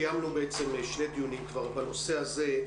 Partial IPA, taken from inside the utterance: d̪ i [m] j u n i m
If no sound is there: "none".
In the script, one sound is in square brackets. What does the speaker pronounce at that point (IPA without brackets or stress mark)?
none